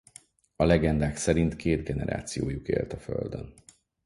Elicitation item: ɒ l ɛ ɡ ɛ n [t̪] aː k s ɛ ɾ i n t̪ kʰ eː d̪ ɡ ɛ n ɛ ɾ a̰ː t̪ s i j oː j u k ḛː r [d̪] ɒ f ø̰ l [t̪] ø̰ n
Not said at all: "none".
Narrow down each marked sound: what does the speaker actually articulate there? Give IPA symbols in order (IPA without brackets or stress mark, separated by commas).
d̪, t̪, d̪